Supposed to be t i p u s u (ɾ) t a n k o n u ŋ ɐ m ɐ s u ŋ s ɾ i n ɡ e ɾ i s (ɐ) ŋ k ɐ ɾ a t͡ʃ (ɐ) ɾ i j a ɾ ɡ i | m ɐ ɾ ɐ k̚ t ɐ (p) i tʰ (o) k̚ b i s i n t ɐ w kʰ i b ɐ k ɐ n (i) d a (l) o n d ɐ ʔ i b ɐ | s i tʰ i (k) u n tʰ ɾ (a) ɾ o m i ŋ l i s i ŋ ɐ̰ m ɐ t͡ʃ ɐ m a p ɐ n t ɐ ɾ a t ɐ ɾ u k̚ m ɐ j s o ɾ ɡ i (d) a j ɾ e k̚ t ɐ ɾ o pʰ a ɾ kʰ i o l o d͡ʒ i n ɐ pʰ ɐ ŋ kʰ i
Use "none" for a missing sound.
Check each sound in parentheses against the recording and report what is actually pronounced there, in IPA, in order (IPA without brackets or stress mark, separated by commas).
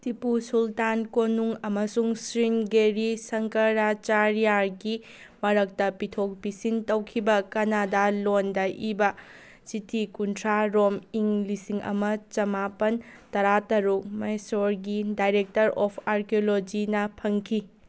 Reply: l, ɐ, a, p, o, a, l, k, a, d